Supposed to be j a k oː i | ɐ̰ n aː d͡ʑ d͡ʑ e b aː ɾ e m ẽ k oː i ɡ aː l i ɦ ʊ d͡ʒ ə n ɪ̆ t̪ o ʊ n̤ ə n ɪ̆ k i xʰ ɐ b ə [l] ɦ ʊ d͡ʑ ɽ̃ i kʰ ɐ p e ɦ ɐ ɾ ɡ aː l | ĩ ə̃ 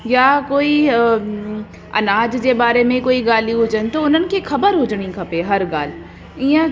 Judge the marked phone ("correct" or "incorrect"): incorrect